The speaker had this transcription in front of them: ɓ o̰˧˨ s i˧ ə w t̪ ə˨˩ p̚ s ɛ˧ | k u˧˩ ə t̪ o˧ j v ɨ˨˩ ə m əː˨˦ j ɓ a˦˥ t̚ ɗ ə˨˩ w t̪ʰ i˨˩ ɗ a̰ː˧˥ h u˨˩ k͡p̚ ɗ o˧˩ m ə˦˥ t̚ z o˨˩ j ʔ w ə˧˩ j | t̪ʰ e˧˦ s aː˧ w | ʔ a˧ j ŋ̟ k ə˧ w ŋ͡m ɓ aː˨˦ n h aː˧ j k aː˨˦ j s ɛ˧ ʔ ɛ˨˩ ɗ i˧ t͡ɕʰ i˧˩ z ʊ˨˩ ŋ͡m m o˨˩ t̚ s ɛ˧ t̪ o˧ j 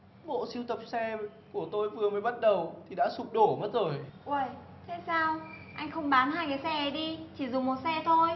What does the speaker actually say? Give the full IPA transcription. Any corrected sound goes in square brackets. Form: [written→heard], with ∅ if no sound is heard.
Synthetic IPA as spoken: ɓ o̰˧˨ s i˧ ə w t̪ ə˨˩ p̚ s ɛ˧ | k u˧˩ ə t̪ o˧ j v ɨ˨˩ ə m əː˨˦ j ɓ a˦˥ t̚ ɗ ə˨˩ w t̪ʰ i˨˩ ɗ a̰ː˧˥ [h→s] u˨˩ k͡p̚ ɗ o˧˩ m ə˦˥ t̚ z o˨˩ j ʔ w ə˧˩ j | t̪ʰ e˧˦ s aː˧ w | ʔ a˧ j ŋ̟ [k→x] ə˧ w ŋ͡m ɓ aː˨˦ n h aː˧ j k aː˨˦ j s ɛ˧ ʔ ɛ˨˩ ɗ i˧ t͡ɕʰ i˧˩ z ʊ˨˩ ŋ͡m m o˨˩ t̚ s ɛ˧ [t̪→t̪ʰ] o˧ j

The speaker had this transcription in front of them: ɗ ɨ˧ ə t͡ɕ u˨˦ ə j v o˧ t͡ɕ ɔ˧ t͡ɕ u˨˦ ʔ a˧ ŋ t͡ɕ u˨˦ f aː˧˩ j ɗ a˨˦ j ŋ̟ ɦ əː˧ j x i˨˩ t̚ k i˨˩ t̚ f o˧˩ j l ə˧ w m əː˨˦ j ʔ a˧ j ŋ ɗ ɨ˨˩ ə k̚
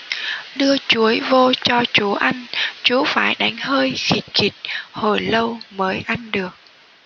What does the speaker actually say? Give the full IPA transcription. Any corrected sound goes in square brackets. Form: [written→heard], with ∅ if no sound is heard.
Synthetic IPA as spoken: ɗ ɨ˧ ə t͡ɕ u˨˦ ə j v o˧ t͡ɕ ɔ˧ t͡ɕ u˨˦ ʔ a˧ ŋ t͡ɕ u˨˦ f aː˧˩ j ɗ a˨˦ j ŋ̟ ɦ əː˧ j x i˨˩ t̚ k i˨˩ t̚ [f→h] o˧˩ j l ə˧ w m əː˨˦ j ʔ a˧ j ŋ ɗ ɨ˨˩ ə k̚

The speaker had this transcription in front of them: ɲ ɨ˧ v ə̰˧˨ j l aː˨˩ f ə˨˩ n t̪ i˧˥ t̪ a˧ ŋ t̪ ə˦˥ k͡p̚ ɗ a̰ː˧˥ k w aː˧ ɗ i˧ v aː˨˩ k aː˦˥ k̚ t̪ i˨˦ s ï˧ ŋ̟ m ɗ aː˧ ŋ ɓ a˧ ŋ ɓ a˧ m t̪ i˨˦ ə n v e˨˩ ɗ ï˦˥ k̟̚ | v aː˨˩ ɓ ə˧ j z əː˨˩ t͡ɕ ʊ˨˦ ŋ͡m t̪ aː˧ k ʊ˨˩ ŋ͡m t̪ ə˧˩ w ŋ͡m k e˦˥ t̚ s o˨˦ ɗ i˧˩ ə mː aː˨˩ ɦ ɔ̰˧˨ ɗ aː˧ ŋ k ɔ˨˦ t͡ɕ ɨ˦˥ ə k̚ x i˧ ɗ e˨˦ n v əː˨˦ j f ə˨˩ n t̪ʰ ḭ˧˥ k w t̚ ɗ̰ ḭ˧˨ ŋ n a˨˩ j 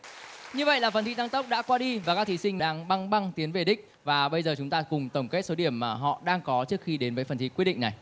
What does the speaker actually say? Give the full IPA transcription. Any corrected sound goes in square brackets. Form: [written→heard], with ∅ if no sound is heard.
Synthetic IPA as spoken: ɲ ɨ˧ v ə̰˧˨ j l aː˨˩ f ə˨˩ n t̪ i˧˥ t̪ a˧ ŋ t̪ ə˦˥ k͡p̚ ɗ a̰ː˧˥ k w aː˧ ɗ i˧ v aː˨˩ k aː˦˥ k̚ t̪ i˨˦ s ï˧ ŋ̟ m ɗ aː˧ ŋ ɓ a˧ ŋ ɓ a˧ [m→ŋ] t̪ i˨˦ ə n v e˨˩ ɗ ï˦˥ k̟̚ | v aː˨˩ ɓ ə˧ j z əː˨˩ t͡ɕ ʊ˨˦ ŋ͡m t̪ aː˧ k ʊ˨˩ ŋ͡m t̪ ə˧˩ w ŋ͡m k e˦˥ t̚ s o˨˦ ɗ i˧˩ ə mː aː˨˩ ɦ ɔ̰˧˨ ɗ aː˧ ŋ k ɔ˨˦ t͡ɕ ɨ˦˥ ə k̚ x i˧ ɗ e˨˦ n v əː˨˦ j f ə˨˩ n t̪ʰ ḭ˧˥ k w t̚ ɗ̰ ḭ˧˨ ŋ n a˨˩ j

